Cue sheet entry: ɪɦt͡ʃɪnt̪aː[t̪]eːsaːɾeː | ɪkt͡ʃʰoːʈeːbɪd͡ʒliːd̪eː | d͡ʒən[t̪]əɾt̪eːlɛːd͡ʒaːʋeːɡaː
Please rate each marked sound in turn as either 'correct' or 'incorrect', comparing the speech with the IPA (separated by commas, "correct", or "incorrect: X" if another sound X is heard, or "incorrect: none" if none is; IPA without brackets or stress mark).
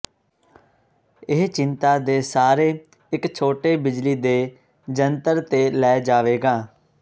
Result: incorrect: d̪, correct